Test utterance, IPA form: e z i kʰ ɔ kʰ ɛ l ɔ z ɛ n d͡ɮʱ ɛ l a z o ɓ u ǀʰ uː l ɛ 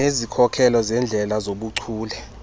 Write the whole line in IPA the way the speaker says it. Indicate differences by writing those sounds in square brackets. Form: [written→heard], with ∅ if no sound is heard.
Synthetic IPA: e z i kʰ ɔ kʰ ɛ l ɔ z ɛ n d͡ɮʱ ɛ l a z o ɓ u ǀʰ uː l ɛ